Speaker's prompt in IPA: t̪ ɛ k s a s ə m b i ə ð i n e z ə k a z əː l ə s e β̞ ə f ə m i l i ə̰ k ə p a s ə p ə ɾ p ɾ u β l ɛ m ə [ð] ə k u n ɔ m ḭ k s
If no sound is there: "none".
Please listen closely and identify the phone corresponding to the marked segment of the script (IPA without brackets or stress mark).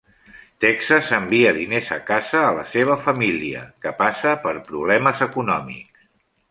z